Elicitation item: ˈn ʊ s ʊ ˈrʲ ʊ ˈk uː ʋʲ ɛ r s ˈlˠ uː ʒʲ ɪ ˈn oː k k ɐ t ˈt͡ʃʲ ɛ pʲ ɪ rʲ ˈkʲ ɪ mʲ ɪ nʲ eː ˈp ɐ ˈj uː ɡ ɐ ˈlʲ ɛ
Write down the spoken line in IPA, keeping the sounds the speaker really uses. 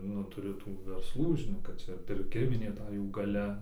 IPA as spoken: ˈn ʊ t ʊ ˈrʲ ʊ ˈt uː ʋʲ ɛ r s ˈlˠ uː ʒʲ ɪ ˈn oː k k ɐ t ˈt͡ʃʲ ɛ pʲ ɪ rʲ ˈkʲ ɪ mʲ ɪ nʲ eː ˈt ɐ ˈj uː ɡ ɐ ˈlʲ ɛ